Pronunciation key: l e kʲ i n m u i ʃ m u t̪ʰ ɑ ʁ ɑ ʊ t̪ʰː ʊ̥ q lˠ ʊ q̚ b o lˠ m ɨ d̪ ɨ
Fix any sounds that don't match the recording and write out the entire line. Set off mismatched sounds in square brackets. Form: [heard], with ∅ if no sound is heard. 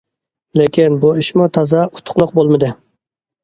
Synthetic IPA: l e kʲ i n [b] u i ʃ m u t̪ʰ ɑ [z] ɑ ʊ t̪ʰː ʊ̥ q lˠ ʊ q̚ b o lˠ m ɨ d̪ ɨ